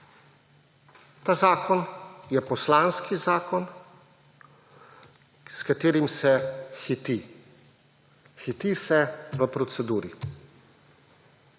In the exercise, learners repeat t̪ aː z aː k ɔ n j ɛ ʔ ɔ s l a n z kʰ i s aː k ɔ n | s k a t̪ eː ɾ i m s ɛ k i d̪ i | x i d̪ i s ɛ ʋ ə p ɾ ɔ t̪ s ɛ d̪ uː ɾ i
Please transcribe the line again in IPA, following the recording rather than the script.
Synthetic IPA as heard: t̪ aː z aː k ɔ n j ɛ p ɔ s l a n s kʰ i z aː k ɔ n | s k a t̪ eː ɾ i m s ɛ x i t̪ i | x i t̪ i s ɛ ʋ ə p ɾ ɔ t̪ s ɛ d̪ uː ɾ i

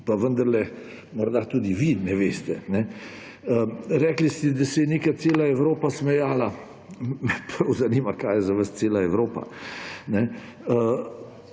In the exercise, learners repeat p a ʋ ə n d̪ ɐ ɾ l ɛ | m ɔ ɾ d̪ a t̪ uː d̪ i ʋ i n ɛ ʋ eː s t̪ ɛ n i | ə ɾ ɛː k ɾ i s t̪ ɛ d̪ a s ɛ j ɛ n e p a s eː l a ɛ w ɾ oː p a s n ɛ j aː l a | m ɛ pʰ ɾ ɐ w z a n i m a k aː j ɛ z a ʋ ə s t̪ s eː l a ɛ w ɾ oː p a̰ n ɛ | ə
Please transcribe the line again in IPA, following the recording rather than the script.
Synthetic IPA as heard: p a ʋ ə n d̪ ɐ ɾ l ɛ | m ɔ ɾ d̪ a t̪ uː d̪ i ʋ i n ɛ ʋ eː s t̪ ɛ n ɛ | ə ɾ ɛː k l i s t̪ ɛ d̪ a s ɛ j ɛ n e k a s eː l a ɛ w ɾ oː p a s m ɛ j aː l a | m ɛ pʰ ɾ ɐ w z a n i m a k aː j ɛ z a ʋ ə s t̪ s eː l a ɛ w ɾ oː p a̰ n ɛ | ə

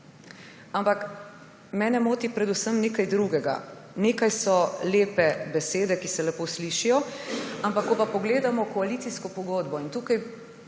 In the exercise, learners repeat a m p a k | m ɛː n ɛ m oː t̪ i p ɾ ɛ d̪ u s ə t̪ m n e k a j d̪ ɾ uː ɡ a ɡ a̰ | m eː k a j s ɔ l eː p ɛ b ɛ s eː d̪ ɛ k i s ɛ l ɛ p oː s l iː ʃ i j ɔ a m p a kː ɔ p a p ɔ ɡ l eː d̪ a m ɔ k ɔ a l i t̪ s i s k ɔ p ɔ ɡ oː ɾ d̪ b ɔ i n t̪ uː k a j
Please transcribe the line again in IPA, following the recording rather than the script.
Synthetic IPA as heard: a m p a k | m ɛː n ɛ m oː t̪ i p ɾ ɛ d̪ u s ə m n e k a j d̪ ɾ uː ɡ ɛ ɡ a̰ | n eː k a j s ɔ l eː p ɛ b ɛ s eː d̪ ɛ k i s ɛ l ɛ p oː s l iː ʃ i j ɔ a m p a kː ɔ p a p ɔ ɡ l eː d̪ a m ɔ k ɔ a l i t̪ s i s k ɔ p ɔ ɡ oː d̪ b ɔ i n t̪ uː k a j

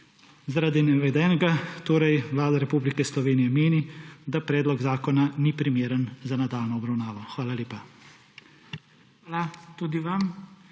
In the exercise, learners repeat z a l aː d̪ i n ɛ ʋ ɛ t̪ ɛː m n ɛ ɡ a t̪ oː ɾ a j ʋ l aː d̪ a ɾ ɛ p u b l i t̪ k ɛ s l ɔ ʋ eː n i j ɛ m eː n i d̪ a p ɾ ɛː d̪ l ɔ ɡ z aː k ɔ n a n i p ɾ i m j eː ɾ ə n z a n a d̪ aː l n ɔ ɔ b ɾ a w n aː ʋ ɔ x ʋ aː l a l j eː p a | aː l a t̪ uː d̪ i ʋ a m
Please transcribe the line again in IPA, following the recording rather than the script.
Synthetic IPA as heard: z a ɾ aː d̪ i n ɛ ʋ ɛ d̪ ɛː n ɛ ɡ a t̪ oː ɾ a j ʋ l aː d̪ a ɾ ɛ p u b l i k ɛ s l ɔ ʋ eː n i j ɛ m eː n i d̪ a p ɾ ɛː d̪ l ɔ ɡ z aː k ɔ n a n i p ɾ i m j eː ɾ ə n z a n a d̪ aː l n ɔ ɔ b ɾ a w n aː ʋ ɔ x ʋ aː l a l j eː p a | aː l a t̪ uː d̪ i ʋ a m

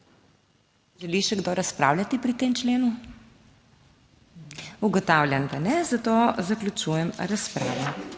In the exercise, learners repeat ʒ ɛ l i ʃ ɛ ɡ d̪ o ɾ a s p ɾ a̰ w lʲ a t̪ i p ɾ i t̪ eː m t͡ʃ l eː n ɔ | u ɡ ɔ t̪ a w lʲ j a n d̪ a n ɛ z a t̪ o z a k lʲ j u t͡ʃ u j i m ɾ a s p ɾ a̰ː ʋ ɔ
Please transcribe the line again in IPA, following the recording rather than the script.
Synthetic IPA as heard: ʒ ɛ l i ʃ ɛ ɡ d̪ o ɾ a s p ɾ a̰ w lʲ a t̪ i p ɾ i t̪ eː m t͡ʃ l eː n u | u ɡ ɔ t̪ a w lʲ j a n d̪ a n ɛ z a t̪ o z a k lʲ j u t͡ʃ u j ɛ m ɾ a s p ɾ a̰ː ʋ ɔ

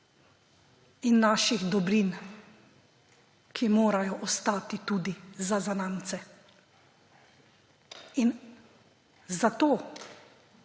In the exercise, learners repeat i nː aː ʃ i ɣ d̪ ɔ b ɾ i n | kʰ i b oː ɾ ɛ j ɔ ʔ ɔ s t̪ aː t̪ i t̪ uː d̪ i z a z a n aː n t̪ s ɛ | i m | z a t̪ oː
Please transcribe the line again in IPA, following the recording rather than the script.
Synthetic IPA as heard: i nː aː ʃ i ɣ d̪ ɔ b ɾ i n | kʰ i m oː ɾ a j ɔ ʔ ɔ s t̪ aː t̪ i t̪ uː d̪ i z a z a n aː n t̪ s ɛ | i n | z a t̪ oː

